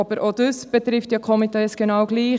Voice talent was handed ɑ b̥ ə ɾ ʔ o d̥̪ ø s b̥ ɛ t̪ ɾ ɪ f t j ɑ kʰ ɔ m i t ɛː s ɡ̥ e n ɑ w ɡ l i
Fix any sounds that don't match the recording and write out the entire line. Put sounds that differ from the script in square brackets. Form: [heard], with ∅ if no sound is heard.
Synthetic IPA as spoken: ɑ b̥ ə ɾ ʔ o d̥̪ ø s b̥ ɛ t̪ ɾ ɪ f t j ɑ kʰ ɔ m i t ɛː s ɡ̥ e n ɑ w ɡ l [iː]